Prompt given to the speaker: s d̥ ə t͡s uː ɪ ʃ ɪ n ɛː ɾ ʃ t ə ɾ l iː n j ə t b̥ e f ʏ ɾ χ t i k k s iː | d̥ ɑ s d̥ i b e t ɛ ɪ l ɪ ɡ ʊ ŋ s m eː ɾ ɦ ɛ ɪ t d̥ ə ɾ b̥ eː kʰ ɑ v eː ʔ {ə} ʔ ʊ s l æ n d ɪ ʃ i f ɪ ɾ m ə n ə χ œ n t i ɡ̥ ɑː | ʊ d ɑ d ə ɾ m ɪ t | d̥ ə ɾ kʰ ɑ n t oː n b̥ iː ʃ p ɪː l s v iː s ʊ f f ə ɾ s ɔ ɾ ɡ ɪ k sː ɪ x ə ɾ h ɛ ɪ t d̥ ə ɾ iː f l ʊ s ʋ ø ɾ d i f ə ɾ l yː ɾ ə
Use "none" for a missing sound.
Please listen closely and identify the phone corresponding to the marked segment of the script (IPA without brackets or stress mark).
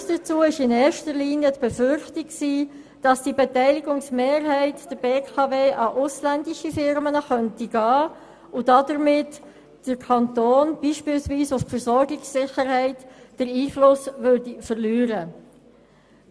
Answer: ɑ